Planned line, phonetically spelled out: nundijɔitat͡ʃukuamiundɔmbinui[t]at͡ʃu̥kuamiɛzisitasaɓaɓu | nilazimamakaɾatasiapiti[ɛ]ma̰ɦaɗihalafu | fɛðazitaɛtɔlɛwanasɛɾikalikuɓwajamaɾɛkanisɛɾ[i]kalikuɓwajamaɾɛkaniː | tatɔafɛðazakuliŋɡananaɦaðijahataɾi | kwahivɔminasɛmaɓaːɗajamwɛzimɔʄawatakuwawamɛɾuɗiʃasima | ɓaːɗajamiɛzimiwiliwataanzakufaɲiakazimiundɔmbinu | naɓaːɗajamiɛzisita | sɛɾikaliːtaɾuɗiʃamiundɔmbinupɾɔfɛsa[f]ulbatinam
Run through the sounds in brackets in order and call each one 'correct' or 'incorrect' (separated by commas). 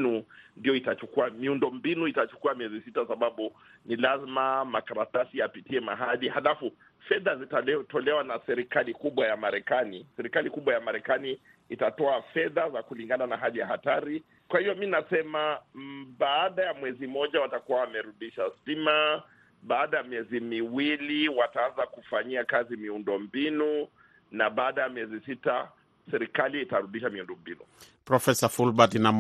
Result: correct, correct, correct, correct